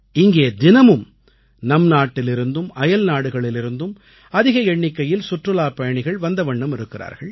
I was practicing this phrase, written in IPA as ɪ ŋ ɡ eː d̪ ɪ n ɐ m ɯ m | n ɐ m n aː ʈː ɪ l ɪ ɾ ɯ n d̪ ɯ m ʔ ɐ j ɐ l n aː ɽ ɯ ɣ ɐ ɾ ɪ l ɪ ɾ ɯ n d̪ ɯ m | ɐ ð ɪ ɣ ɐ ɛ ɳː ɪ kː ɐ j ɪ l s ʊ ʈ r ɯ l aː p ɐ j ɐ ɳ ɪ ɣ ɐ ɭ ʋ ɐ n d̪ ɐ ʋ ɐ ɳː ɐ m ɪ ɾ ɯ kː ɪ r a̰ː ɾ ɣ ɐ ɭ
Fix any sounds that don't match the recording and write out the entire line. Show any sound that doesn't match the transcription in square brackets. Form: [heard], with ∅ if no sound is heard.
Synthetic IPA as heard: ɪ ŋ ɡ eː d̪ ɪ n ɐ m ɯ m | n ɐ m n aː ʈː ɪ l ɪ ɾ ɯ n d̪ ɯ m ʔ ɐ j ɐ l n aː ɽ ɯ ɣ ɐ [ɭ] ɪ l ɪ ɾ ɯ n d̪ ɯ m | ɐ ð ɪ ɣ ɐ ɛ ɳː ɪ kː ɐ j ɪ l s ʊ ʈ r ɯ l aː p ɐ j ɐ ɳ ɪ ɣ ɐ ɭ ʋ ɐ n d̪ ɐ ʋ ɐ ɳː ɐ m ɪ ɾ ɯ kː ɪ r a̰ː ɾ ɣ ɐ ɭ